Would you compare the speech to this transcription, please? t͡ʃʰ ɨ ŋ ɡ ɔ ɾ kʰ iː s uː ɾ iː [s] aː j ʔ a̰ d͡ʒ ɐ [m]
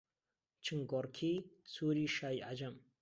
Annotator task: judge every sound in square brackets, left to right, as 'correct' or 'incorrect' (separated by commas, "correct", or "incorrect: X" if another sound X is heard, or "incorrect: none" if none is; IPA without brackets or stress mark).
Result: incorrect: ʃ, correct